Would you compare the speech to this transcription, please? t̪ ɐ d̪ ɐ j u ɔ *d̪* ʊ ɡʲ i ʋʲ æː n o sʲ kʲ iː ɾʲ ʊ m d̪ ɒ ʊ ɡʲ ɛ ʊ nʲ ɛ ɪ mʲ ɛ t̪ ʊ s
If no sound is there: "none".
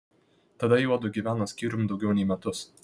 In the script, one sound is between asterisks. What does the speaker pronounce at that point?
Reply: d̪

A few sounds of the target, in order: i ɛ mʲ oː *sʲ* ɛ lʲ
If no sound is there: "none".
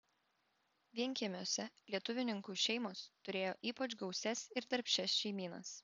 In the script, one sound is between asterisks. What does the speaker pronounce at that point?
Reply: sʲ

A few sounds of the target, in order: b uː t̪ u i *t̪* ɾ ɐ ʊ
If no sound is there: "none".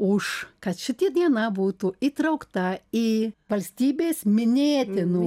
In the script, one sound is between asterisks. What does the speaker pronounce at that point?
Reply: t̪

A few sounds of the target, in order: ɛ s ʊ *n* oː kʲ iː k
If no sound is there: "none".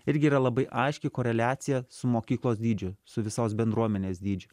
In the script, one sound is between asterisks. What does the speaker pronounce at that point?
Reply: m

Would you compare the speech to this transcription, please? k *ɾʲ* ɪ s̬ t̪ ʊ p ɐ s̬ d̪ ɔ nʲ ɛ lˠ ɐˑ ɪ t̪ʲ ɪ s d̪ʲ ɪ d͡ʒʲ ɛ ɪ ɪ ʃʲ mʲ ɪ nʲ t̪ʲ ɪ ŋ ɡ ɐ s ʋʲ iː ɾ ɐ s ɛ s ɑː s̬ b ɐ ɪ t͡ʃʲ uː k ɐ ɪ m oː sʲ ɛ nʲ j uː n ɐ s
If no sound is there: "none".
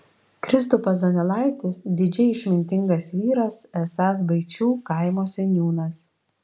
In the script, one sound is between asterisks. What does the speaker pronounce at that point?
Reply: ɾʲ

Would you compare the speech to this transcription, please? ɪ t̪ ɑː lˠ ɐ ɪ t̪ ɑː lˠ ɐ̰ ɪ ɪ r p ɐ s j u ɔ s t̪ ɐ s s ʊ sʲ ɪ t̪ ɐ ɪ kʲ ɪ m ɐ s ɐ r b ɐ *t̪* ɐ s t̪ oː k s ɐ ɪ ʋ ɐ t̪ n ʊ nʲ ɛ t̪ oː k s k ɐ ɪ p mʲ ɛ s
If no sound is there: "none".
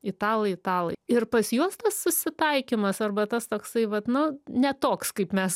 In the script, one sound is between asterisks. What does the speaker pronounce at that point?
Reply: t̪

